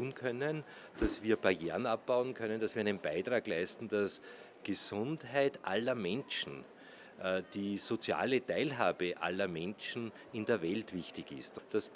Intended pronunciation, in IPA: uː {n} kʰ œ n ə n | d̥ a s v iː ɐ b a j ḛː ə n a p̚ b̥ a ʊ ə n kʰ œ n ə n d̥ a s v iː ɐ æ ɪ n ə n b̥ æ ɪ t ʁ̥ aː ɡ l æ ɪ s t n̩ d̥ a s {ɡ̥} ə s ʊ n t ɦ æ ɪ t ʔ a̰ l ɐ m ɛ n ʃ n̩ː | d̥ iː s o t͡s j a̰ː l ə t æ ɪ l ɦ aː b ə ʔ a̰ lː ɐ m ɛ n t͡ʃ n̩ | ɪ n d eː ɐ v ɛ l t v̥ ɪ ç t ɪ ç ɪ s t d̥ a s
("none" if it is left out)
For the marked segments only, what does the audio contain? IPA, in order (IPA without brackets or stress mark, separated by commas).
n, ɡ̥